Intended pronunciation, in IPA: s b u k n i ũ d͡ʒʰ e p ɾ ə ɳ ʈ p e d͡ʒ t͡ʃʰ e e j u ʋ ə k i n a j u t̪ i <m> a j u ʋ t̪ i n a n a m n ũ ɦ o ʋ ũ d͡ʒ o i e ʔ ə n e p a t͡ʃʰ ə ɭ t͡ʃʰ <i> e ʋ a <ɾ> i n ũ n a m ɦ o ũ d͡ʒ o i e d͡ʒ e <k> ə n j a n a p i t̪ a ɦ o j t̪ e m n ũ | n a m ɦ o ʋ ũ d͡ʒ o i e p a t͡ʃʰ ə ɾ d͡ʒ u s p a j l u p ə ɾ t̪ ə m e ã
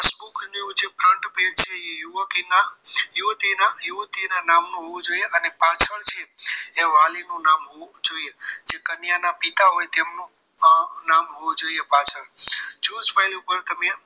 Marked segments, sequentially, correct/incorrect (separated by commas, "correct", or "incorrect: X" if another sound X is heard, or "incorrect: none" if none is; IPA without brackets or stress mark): incorrect: n, incorrect: e, incorrect: l, correct